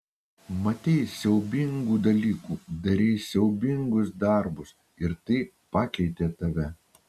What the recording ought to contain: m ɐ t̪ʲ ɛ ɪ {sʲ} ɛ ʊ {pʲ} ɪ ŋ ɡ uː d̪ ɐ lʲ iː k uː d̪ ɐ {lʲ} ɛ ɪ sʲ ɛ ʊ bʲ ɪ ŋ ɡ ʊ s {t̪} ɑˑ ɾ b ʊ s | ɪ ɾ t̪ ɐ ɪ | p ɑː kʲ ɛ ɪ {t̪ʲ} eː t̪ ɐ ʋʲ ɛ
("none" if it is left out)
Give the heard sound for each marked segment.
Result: sʲ, bʲ, ɾʲ, d̪, t̪ʲ

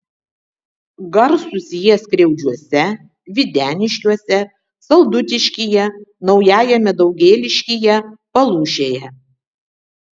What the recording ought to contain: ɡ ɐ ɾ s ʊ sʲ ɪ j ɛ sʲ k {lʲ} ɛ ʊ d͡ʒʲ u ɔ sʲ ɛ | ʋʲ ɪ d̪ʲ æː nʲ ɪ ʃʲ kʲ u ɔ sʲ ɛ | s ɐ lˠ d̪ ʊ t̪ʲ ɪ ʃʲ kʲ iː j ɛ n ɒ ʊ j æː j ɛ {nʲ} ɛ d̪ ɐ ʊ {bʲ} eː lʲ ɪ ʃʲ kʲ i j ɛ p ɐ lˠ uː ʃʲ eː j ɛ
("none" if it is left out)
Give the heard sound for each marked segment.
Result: ɾʲ, mʲ, ɡʲ

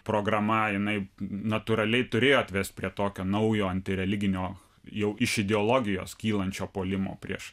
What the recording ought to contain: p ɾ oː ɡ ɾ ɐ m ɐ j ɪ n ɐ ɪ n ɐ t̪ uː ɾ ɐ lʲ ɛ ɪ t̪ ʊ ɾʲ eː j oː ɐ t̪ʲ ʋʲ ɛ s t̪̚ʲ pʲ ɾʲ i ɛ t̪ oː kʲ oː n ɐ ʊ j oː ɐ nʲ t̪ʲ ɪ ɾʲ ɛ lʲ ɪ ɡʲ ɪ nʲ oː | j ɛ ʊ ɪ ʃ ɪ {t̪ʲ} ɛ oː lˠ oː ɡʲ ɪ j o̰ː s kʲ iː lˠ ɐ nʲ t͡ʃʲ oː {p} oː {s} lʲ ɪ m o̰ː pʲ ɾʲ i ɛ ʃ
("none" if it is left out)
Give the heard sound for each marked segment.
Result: d̪ʲ, p, none

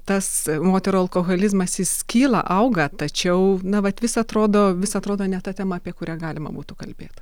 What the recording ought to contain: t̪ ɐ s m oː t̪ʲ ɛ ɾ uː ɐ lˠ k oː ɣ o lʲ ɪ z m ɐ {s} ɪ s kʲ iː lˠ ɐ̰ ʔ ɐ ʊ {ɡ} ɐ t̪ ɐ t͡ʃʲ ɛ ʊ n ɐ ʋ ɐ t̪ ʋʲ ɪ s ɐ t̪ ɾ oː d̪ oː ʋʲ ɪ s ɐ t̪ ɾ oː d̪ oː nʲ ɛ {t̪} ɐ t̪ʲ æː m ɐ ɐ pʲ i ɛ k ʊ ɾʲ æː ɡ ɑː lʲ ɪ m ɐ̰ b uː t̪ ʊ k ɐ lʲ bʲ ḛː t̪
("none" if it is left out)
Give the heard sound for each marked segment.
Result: s, ɡ, t̪

